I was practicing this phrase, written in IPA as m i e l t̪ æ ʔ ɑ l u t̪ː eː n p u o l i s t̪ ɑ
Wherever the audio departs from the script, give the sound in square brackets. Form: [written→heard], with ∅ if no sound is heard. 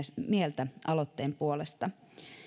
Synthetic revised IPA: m i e l t̪ æ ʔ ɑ l [u→o] t̪ː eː [n→m] p u o l [i→e] s t̪ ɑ